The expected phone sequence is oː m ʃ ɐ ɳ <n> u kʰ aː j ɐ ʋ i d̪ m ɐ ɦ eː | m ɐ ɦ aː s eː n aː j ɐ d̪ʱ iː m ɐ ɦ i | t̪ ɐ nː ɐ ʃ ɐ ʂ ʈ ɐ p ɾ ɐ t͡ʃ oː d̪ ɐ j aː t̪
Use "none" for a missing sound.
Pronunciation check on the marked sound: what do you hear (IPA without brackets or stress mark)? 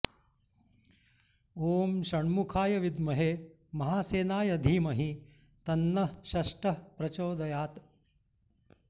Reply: m